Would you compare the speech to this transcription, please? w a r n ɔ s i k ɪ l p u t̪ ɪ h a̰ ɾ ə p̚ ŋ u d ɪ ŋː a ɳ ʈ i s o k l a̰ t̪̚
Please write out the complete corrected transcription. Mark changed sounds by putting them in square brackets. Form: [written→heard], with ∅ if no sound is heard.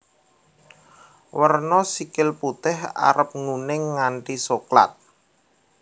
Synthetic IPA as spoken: w [a→ə] r n ɔ s i k ɪ l p u t̪ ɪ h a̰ ɾ ə p̚ ŋ u [d→n] ɪ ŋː a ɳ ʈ i s o k l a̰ t̪̚